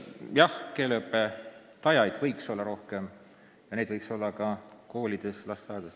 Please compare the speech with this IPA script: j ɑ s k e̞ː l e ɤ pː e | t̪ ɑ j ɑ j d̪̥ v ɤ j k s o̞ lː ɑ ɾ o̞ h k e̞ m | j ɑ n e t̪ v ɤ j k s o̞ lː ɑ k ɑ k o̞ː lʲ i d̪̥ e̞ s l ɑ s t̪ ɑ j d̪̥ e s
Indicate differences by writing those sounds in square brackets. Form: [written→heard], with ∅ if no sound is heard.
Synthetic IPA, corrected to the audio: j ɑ [s→h] k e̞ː l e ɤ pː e | t̪ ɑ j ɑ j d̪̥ v ɤ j k s o̞ lː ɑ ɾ o̞ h k e̞ m | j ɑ n e [t̪→d̪] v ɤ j k s o̞ lː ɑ k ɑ k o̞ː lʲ i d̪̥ e̞ s l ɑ s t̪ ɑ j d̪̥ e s

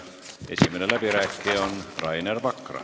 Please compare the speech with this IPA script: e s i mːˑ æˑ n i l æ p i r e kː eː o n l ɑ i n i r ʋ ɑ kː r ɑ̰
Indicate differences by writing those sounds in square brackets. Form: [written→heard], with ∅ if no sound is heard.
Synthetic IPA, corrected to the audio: e s i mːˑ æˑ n [i→e] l æ p i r [e→æ] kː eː o n [l→r] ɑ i n [i→e] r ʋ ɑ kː r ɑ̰

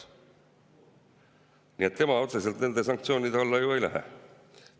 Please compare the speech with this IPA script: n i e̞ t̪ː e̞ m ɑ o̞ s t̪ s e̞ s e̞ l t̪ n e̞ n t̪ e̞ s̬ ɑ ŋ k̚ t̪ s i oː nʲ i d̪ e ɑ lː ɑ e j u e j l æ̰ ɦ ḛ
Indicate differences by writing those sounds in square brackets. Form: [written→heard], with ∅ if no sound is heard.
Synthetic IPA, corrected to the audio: n i e̞ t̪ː e̞ m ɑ o̞ [s→∅] t̪ s e̞ s e̞ l t̪ n e̞ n [t̪→d̪] e̞ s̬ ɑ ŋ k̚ t̪ s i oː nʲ i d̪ e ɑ lː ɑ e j u e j l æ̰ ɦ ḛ

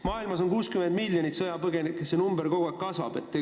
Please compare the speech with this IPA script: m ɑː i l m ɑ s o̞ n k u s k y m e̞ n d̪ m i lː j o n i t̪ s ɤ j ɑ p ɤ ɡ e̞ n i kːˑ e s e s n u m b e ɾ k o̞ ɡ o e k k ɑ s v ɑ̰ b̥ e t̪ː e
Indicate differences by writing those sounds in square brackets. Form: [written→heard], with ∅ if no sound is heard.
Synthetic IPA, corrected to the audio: m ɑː i l m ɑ s o̞ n k [u→uː] s k y m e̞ n d̪ m i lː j o n i t̪ s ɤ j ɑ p ɤ ɡ e̞ n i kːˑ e s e [s→∅] n u m b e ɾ k o̞ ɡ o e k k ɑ s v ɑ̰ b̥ e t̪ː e

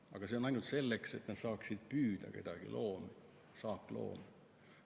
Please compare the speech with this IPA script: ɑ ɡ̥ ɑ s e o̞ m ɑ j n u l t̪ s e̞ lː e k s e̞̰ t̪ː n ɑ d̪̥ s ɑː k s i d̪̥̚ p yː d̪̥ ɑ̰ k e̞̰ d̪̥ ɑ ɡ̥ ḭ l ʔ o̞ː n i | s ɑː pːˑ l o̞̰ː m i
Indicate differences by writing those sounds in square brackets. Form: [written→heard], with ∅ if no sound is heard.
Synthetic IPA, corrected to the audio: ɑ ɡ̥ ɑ s e o̞ [m→n] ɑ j n u l t̪ s e̞ lː e k s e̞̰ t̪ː n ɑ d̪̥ s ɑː k s i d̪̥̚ p yː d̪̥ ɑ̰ k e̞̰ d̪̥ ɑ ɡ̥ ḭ l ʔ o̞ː [n→m] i | s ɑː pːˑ l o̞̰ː m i

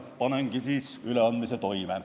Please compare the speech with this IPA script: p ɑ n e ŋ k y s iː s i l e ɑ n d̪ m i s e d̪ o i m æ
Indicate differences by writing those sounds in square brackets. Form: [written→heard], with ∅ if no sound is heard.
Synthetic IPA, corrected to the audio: p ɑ n e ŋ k [y→i] s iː s [i→y] l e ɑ n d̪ m i s e [d̪→t̪] o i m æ

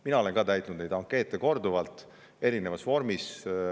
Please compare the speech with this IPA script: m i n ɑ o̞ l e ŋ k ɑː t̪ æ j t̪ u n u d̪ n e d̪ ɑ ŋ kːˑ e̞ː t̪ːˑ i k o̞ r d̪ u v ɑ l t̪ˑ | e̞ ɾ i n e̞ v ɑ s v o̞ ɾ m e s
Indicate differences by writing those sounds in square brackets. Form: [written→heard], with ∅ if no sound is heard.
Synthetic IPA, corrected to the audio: m i n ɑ o̞ l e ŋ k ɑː t̪ æ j t̪ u n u d̪ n e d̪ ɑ ŋ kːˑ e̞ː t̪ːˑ [i→e] k o̞ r d̪ u v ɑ l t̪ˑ | e̞ ɾ i n e̞ v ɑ s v o̞ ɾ m [e→i] s

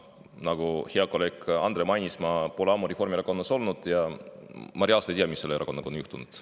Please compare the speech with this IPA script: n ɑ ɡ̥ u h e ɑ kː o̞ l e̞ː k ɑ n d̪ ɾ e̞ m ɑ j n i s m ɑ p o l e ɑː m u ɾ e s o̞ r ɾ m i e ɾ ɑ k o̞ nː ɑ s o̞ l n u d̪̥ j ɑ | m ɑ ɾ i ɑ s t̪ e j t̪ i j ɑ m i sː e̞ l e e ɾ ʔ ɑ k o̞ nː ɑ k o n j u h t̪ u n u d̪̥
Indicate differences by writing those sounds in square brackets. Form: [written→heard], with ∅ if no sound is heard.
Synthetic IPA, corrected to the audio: n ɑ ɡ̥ u h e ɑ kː o̞ l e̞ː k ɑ n d̪ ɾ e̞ m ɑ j n i s m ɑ p o l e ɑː m u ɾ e [s→f] o̞ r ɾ m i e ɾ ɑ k o̞ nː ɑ s o̞ l n u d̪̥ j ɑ | m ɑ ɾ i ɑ s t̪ e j t̪ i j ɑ m i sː e̞ l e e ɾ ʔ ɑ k o̞ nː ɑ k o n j u h t̪ u n u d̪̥

